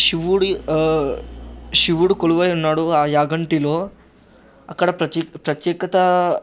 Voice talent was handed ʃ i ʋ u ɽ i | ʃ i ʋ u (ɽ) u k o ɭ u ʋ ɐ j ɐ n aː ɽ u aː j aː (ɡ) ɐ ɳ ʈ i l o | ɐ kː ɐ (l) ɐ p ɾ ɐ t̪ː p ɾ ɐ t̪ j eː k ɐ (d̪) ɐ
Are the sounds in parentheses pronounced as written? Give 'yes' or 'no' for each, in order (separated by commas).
yes, yes, no, no